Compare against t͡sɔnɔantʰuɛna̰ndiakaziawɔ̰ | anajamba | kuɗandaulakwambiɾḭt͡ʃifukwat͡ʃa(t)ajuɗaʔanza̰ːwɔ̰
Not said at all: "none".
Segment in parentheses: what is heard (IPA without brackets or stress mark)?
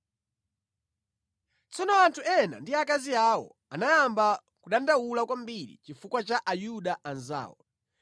ʔ